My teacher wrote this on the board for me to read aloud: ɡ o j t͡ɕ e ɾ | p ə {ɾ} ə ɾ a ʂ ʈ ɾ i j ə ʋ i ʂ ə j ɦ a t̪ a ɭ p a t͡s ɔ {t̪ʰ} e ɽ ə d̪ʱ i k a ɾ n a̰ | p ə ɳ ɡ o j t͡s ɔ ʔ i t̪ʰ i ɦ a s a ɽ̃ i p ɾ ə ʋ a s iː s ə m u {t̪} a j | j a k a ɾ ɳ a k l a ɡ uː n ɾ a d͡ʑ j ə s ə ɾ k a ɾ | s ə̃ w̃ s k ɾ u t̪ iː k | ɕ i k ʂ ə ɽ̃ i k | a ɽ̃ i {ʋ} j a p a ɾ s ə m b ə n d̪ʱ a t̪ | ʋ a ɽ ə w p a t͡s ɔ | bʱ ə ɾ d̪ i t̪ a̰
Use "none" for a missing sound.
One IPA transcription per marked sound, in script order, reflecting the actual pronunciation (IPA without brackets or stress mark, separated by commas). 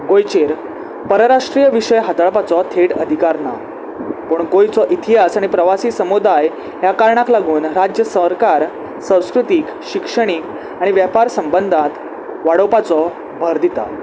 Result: ɾ, t̪ʰ, d̪, ʋ